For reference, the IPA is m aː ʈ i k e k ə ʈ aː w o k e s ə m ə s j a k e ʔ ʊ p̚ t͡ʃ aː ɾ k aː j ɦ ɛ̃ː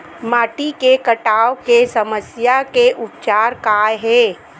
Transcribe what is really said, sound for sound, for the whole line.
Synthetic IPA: m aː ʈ i k e k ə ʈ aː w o k e s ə m ə s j a k e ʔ ʊ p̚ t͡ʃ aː ɾ k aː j ɦ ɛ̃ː